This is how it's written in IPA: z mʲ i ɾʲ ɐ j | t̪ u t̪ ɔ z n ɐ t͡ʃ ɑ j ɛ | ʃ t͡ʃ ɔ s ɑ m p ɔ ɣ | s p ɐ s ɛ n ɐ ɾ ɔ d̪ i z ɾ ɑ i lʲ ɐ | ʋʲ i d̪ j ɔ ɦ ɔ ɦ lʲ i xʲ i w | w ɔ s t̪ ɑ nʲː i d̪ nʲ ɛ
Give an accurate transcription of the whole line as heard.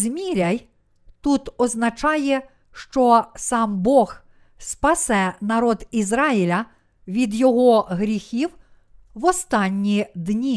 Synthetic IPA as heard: z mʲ i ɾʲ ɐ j | t̪ u t̪ ɔ z n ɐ t͡ʃ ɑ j ɛ | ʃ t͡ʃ ɔ s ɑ m b ɔ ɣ | s p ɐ s ɛ n ɐ ɾ ɔ d̪ i z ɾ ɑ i lʲ ɐ | ʋʲ i d̪ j ɔ ɦ ɔ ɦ ɾʲ i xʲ i w | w ɔ s t̪ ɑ nʲː i d̪ nʲ i